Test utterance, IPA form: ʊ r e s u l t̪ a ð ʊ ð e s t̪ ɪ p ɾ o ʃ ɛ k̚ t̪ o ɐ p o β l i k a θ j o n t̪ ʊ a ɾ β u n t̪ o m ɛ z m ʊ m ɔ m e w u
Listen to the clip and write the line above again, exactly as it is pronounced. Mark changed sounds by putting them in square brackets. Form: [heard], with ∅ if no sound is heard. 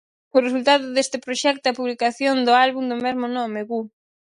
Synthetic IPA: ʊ r e s u l t̪ a ð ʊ ð e s t̪ ɪ p ɾ o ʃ ɛ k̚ t̪ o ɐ p [u] β l i k a θ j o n [d̪] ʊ a [l] β u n [d̪] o m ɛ z m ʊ [n] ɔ m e [ɣ] u